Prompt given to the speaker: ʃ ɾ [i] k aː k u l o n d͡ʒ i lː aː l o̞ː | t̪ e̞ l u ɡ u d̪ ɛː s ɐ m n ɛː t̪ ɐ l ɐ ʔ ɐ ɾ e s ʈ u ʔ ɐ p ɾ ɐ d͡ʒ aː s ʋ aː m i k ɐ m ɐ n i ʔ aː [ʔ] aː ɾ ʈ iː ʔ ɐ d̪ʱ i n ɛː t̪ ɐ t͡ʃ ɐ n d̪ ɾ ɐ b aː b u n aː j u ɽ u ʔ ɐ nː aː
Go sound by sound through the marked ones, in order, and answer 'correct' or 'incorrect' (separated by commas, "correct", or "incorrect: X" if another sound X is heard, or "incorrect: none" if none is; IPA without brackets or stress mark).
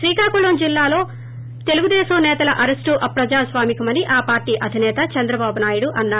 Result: incorrect: iː, incorrect: p